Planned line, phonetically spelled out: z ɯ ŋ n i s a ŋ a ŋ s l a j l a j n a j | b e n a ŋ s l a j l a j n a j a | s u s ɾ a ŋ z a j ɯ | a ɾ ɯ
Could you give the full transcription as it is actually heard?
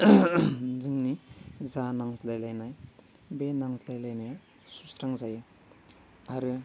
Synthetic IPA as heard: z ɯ ŋ n i z a n a ŋ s l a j l a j n a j | b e n a ŋ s l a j l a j n a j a | s u s ɾ a ŋ z a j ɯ | a ɾ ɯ